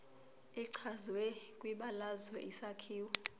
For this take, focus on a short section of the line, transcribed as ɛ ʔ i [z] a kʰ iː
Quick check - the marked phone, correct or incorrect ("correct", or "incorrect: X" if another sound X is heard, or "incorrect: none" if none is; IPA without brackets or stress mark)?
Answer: incorrect: s